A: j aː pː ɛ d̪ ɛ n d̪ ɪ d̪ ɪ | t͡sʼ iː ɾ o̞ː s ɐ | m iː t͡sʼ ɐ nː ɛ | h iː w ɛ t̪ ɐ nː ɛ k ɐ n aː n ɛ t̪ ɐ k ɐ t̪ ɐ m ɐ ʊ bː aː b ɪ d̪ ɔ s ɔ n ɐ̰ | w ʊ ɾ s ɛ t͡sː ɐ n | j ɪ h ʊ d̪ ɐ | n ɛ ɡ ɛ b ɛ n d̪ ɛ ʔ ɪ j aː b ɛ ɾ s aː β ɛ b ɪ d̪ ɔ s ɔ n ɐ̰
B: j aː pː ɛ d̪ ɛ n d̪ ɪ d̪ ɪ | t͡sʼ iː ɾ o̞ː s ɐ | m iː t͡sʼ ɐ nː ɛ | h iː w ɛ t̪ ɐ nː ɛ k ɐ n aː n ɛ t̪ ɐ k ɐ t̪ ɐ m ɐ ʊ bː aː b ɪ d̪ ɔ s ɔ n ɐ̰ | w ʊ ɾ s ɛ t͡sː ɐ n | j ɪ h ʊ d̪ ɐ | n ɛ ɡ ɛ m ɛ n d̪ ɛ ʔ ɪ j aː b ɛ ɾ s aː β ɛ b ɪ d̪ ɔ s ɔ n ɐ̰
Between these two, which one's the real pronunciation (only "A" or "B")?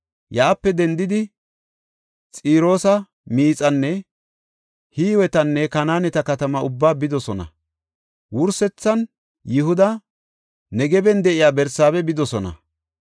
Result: A